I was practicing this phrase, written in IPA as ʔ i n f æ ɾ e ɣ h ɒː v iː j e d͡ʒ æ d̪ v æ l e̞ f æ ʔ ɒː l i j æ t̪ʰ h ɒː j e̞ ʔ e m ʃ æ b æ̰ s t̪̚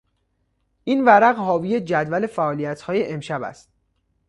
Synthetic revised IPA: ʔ i n v æ ɾ æ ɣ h ɒː v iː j e d͡ʒ æ d̪ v æ l e̞ f æ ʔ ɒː l i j æ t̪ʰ h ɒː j e̞ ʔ e m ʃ æ b æ̰ s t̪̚